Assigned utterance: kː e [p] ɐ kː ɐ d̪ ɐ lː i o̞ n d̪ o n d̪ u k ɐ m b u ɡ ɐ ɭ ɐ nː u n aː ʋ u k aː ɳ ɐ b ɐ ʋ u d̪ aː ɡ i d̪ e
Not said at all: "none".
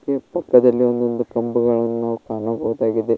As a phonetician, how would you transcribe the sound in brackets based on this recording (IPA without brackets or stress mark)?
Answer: p